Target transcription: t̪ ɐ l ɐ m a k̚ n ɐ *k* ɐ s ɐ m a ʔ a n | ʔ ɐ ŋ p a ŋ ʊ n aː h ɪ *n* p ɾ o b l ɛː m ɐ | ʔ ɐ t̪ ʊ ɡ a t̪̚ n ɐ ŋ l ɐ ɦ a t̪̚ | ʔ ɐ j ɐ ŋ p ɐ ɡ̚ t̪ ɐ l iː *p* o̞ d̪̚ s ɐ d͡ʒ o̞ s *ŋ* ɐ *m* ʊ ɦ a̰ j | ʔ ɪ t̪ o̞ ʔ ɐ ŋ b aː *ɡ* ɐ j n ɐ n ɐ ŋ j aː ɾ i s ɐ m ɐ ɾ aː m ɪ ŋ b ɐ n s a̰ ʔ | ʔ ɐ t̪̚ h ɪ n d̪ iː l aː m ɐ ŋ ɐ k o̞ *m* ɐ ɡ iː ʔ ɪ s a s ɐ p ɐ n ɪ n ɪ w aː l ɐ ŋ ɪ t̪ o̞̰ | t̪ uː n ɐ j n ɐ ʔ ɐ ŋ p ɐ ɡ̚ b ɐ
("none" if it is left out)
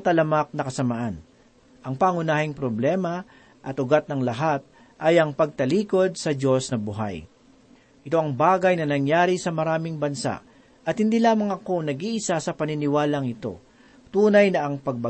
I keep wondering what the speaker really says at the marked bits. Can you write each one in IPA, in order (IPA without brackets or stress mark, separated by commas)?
k, ŋ, k, n, b, ɡ, n